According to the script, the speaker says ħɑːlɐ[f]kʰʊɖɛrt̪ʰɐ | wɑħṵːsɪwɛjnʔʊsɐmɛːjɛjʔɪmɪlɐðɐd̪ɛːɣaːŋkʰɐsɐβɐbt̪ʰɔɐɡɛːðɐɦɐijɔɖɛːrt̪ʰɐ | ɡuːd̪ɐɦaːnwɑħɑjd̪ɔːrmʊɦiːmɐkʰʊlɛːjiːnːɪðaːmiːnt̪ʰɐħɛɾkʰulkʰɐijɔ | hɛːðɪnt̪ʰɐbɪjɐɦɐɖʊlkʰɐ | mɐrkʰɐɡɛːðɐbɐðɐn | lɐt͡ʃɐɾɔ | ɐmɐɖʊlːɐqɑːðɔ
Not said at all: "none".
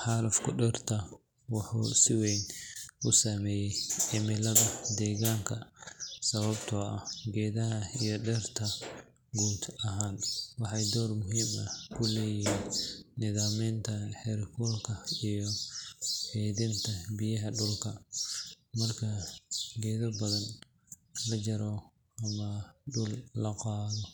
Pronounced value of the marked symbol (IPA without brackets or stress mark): f